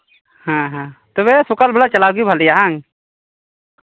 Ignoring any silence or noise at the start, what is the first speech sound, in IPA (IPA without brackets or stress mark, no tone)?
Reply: h